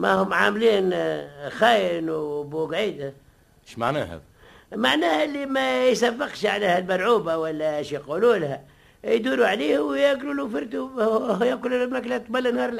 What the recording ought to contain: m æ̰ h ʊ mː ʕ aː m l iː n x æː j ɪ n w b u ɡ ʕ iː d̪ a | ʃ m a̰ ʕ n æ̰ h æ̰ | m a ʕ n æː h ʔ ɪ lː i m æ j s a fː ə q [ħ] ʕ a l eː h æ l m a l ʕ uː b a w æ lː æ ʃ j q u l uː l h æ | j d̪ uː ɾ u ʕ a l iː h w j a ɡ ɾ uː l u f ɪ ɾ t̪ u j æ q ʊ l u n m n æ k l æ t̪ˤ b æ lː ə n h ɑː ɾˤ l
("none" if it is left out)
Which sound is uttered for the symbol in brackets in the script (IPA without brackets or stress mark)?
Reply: ʃ